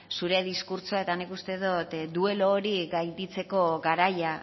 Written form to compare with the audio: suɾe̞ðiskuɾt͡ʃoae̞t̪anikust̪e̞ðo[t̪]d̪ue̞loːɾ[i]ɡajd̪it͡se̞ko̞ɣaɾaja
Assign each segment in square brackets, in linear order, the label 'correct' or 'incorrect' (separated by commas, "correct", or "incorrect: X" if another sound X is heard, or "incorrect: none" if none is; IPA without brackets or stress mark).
correct, correct